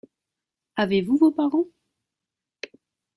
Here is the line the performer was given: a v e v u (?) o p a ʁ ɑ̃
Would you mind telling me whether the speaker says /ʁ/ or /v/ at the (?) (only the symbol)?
v